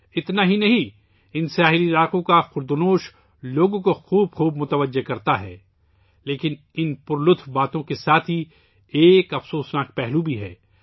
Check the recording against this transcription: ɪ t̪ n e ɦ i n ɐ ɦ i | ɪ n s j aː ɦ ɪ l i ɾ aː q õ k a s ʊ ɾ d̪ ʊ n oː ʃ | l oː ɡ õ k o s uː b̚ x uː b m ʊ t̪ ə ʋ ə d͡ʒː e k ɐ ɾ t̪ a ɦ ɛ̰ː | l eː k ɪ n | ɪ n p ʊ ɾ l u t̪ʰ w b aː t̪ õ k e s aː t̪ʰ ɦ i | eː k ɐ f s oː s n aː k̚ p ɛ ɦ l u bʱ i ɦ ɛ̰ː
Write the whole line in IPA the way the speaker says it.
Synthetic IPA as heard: ɪ t̪ n a ɦ i n ɐ ɦ ĩ | ɪ n s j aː ɦ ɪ l i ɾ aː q õ k a x ʊ ɾ d̪ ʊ n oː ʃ | l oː ɡ õ k o x uː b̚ x uː b m ʊ t̪ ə ʋ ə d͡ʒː e k ɐ ɾ t̪ a ɦ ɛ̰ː | l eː k ɪ n | ɪ n p ʊ ɾ l ʊ t̪ʰ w b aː t̪ õ k e s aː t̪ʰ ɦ i | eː k ɐ f s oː s n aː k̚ p ɛ ɦ l u bʱ i ɦ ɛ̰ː